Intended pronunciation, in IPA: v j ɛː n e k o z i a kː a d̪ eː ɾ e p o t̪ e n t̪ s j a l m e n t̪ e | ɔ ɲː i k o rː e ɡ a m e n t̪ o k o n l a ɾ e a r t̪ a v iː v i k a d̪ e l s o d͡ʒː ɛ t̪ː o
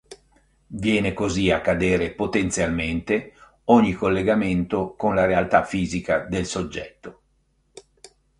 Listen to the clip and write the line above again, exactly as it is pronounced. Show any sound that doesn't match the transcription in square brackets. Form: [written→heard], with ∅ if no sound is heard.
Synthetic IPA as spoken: v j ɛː n e k o z i a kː a d̪ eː ɾ e p o t̪ e n t̪ s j a l m e n t̪ e | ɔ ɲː i k o [rː→lː] e ɡ a m e n t̪ o k o n l a ɾ e a [r→l] t̪ a [v→f] iː [v→z] i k a d̪ e l s o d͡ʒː ɛ t̪ː o